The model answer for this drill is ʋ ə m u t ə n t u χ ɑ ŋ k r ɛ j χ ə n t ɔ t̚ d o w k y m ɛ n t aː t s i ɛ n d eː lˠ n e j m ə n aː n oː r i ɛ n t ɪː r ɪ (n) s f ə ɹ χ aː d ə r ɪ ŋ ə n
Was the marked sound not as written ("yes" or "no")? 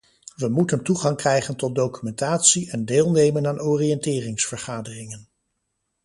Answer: yes